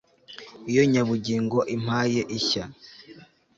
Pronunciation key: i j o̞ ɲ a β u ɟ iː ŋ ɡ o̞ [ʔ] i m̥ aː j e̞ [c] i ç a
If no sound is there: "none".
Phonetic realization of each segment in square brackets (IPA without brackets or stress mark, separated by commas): ʔ, ʔ